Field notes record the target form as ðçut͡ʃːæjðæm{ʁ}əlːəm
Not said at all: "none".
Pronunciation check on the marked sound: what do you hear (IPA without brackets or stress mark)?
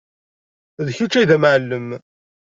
ʕ